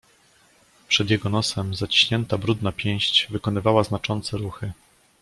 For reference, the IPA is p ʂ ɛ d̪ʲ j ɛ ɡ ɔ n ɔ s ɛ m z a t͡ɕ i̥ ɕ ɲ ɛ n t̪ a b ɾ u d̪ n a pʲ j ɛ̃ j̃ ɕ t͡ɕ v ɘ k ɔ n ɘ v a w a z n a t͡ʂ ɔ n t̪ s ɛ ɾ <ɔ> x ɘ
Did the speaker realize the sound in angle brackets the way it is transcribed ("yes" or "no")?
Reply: no